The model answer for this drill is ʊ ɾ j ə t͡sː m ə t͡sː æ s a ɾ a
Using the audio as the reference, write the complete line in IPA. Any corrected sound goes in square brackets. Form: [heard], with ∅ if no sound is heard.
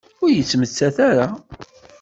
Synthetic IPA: ʊ ɾ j ə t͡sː m ə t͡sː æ [θ] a ɾ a